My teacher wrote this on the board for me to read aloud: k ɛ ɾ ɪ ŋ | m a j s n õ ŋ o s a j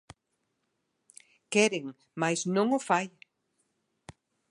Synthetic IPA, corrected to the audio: k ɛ ɾ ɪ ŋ | m a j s n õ ŋ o f a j